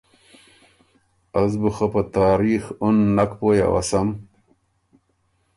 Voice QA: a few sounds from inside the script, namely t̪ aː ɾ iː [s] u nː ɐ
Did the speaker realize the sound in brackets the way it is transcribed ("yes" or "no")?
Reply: no